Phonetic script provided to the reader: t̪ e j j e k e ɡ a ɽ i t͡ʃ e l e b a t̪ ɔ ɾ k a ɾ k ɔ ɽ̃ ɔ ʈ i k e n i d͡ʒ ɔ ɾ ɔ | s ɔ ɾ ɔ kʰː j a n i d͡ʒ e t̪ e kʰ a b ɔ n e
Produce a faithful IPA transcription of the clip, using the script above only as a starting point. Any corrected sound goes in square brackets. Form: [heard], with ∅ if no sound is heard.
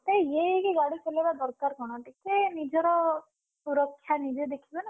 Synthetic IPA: t̪ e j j e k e ɡ a ɽ i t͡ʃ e l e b a [d̪] ɔ ɾ k a ɾ k ɔ ɽ̃ ɔ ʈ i k e n i d͡ʒ ɔ ɾ ɔ | s [u] ɾ ɔ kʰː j a n i d͡ʒ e [d̪] e kʰ [i] b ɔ n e

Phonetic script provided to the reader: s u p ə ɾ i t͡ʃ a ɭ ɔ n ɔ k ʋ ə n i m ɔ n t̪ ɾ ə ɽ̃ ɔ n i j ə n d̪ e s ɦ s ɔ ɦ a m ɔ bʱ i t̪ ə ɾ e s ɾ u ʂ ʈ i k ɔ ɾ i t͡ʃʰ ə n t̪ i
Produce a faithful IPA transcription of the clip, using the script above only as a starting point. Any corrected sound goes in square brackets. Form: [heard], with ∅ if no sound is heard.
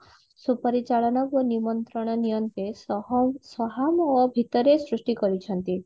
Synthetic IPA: s u p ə ɾ i t͡ʃ a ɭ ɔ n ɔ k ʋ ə n i m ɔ n t̪ ɾ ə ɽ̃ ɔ n i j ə n [t̪] e s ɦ s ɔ ɦ a m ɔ bʱ i t̪ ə ɾ e s ɾ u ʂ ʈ i k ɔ ɾ i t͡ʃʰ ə n t̪ i

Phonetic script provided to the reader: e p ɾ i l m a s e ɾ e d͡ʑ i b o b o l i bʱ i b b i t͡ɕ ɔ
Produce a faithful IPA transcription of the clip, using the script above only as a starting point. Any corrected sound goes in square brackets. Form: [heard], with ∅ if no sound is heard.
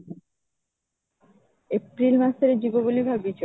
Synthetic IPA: e p ɾ i l m a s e ɾ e d͡ʑ i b o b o l i bʱ [a] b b i t͡ɕ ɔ

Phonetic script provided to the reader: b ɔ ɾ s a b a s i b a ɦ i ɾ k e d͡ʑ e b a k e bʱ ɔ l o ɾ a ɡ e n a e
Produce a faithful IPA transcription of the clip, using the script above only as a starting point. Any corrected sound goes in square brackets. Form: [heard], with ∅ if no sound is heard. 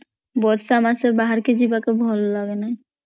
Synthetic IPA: b ɔ ɾ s a [m] a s [e] b a ɦ [a] ɾ k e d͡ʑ [i] b a k e bʱ ɔ l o [l] a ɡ e n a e

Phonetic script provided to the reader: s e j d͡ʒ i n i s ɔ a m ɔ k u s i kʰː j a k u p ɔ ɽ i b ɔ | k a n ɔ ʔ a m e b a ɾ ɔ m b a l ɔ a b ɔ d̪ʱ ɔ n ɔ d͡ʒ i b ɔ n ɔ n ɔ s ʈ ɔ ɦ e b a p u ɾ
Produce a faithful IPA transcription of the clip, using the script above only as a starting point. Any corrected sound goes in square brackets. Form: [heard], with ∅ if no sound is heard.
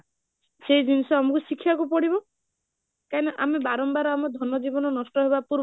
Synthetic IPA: s e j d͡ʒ i n i s ɔ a m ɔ k u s i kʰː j a k u p ɔ ɽ i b ɔ | k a n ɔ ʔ a m e b a ɾ ɔ m b a [ɾ] ɔ a [m] ɔ d̪ʱ ɔ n ɔ d͡ʒ i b ɔ n ɔ n ɔ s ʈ ɔ ɦ e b a p u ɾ

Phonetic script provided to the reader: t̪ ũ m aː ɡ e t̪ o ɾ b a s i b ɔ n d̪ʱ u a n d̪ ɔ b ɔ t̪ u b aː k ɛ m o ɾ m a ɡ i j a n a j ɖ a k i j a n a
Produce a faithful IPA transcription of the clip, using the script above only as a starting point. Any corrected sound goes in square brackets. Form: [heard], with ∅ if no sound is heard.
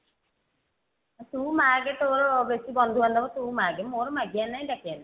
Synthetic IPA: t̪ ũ m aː ɡ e t̪ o ɾ b [e] s i b ɔ n d̪ʱ u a n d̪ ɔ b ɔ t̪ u [m] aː [ɡ] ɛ m o ɾ m a ɡ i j a n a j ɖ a k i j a n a

